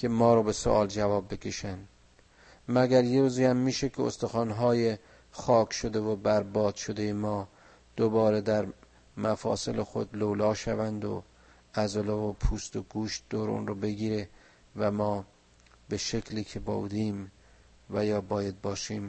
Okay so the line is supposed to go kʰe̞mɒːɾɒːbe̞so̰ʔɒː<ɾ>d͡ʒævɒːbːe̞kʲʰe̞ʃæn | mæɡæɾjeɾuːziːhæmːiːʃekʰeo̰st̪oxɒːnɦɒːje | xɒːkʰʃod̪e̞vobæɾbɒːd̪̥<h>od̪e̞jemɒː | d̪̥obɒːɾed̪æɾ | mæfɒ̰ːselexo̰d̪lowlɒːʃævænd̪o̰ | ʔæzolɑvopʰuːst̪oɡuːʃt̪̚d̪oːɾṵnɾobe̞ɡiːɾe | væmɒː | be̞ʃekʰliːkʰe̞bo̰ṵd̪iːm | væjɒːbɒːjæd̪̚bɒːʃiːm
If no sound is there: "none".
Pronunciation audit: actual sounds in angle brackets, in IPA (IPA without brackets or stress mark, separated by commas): l, ʃ